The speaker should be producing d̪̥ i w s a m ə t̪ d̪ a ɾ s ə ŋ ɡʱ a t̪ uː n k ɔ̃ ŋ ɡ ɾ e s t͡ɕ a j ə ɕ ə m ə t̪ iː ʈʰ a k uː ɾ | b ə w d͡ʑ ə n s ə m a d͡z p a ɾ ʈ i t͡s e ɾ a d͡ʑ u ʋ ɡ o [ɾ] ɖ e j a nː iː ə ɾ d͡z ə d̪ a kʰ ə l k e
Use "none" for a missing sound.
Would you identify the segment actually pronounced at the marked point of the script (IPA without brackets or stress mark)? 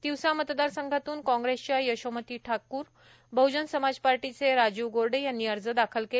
ɾ